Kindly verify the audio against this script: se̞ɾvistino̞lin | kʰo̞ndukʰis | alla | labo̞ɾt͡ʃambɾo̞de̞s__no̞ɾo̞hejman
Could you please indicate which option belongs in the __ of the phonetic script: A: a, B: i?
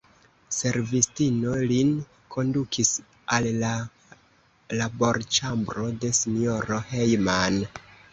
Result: B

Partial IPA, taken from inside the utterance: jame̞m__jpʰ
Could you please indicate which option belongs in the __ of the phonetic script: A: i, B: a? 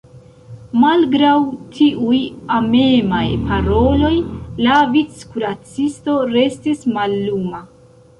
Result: B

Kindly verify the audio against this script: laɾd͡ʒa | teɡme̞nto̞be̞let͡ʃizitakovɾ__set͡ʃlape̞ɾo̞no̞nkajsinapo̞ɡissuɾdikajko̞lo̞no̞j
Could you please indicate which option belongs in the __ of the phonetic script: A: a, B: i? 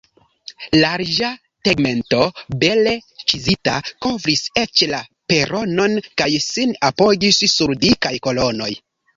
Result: B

